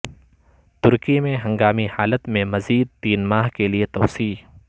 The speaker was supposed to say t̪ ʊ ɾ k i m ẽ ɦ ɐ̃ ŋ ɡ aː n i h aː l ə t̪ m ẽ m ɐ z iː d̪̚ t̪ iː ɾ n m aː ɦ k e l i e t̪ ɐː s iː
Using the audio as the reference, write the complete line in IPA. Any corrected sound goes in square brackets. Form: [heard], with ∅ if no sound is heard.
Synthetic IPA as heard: t̪ ʊ ɾ k i m ẽ ɦ ɐ̃ ŋ ɡ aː [m] i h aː l ə t̪ m ẽ m ɐ z iː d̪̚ t̪ iː [∅] n m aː ɦ k e l i e t̪ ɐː s iː